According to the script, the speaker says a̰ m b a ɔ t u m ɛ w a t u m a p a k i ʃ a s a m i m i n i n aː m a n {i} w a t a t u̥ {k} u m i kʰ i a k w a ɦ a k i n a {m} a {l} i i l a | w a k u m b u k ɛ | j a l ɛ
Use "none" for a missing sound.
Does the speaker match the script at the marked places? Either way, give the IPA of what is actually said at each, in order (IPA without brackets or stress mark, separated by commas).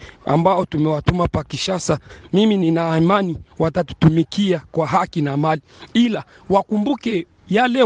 i, t, m, l